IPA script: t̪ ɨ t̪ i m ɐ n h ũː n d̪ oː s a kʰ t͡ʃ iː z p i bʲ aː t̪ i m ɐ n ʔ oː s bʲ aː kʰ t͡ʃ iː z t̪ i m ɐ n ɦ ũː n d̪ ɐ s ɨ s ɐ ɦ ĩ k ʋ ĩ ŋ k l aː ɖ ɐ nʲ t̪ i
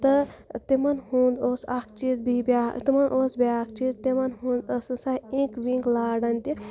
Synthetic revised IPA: t̪ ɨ t̪ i m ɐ n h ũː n d̪ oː s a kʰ t͡ʃ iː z b i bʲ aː t̪ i m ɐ n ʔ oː s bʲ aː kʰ t͡ʃ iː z t̪ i m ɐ n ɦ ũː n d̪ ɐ s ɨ s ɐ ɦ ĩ k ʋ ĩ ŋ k l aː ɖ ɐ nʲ t̪ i